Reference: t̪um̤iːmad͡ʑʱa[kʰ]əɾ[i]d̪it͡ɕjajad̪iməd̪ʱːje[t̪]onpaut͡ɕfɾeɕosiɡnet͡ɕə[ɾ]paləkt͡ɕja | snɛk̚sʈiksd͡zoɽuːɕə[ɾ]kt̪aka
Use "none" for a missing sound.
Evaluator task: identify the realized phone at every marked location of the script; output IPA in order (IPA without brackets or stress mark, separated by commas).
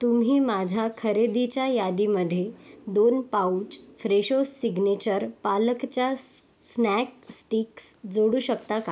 kʰ, e, d̪, ɾ, none